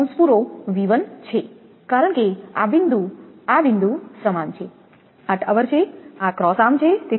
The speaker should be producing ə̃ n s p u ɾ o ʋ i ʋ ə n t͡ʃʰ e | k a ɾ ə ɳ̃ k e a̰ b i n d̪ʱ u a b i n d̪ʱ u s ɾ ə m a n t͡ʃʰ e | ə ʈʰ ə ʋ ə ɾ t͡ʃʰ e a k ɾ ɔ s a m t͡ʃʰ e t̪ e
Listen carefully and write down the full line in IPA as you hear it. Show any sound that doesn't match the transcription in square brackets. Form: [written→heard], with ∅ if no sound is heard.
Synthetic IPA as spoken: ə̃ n s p u ɾ o ʋ i ʋ ə n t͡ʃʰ e | k a ɾ ə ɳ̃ k e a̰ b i n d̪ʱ u a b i n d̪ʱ u s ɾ ə m a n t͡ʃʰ e | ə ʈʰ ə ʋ ə ɾ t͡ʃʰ e a k ɾ ɔ s a m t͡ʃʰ e t̪ e